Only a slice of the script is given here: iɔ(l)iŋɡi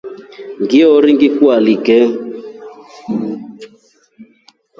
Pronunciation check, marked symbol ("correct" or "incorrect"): incorrect